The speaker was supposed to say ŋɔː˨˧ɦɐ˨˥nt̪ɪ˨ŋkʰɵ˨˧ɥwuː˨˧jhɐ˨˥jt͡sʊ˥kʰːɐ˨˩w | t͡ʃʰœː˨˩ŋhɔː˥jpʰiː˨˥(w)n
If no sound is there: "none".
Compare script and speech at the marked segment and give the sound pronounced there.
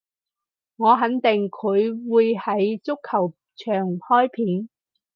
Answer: none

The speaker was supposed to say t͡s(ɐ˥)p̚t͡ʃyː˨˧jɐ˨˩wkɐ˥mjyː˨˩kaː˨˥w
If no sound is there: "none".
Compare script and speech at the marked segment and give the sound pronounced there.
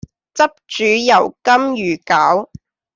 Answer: ɐ˥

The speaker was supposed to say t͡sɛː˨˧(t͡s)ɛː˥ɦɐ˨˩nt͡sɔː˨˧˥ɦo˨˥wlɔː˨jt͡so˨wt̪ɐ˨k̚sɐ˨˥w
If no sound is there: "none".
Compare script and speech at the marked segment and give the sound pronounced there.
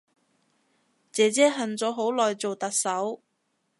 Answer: t͡s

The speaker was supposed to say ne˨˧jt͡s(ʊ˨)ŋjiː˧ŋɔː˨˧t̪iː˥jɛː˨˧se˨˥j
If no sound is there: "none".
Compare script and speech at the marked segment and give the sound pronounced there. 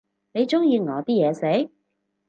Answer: ʊ˥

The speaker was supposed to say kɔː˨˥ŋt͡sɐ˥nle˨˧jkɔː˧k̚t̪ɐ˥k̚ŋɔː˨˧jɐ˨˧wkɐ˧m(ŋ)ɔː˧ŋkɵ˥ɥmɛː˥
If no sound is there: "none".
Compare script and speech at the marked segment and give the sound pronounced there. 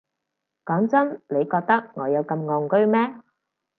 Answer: ŋ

